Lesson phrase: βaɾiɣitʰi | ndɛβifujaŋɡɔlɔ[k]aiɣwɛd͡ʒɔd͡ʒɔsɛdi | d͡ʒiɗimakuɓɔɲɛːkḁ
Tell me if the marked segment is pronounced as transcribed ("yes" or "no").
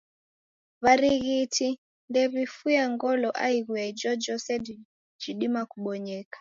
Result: no